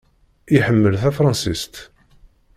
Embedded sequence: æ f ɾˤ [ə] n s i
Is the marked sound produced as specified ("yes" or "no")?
no